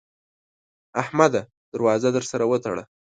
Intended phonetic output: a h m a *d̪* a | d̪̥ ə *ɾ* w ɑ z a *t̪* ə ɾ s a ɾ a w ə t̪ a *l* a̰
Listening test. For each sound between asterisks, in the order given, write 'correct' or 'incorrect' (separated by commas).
correct, correct, incorrect, incorrect